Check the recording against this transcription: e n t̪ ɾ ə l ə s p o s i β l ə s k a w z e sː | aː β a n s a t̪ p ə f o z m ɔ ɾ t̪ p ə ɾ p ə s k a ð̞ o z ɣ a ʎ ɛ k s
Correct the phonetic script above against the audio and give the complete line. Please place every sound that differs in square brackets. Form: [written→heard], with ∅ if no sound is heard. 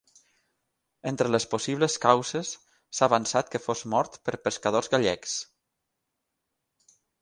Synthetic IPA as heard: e n t̪ ɾ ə l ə s p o s i β l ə s k a w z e sː | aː β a n s a t̪ [p→k] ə f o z m ɔ ɾ t̪ p ə ɾ p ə s k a ð̞ o z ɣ a ʎ ɛ k s